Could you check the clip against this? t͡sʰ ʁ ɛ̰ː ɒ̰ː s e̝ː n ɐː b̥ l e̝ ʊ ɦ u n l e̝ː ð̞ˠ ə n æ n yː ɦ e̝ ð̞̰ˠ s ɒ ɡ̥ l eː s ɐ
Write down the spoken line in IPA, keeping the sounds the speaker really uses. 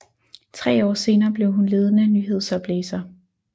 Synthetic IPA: t͡sʰ ʁ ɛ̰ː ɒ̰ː s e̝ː n ɐː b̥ l e̝ ʊ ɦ u n l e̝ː ð̞ˠ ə n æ n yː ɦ e̝ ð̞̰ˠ s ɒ b̥ l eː s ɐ